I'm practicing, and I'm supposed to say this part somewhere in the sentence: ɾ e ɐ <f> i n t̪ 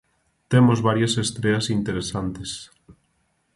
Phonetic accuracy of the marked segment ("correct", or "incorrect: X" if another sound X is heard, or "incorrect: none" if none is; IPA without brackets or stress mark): incorrect: s